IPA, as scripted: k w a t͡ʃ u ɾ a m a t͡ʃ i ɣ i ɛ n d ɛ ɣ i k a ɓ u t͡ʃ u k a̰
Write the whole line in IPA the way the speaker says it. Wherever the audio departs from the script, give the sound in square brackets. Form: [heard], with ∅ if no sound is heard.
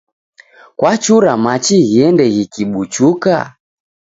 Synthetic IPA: k w a t͡ʃ u ɾ a m a t͡ʃ i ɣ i ɛ n d ɛ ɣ i k [i] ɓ u t͡ʃ u k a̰